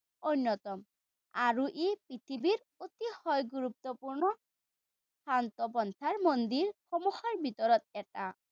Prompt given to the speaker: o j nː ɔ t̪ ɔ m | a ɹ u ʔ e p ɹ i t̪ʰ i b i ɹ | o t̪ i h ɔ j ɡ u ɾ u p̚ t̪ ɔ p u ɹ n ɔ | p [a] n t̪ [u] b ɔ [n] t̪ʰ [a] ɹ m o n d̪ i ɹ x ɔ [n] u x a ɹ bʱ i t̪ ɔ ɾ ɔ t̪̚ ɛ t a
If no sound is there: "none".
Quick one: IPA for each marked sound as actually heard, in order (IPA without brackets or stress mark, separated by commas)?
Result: a, ɔ, n, a, m